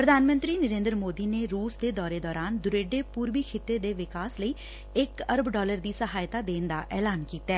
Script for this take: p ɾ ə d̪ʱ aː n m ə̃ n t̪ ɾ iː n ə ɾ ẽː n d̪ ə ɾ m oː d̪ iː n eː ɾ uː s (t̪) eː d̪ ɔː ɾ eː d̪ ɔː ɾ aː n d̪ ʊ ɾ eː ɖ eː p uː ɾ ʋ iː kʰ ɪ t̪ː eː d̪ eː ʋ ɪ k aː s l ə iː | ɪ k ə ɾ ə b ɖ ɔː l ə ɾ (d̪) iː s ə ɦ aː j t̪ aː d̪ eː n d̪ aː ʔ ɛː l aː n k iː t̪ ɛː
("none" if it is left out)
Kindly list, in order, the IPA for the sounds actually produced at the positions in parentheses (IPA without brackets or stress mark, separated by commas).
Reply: d̪, d̪